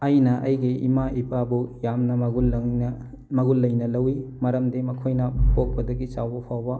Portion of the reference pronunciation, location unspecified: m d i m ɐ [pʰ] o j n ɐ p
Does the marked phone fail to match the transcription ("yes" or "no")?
yes